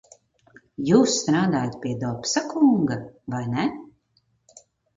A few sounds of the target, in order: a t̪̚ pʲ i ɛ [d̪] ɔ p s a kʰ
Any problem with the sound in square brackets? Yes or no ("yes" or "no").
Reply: no